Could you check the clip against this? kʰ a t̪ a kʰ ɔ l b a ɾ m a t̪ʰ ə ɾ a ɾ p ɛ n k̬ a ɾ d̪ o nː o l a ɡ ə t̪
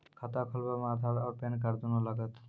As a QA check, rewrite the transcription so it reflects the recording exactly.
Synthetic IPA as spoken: kʰ a t̪ a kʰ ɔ l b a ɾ m a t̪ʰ a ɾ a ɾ p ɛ n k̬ a ɾ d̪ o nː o l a ɡ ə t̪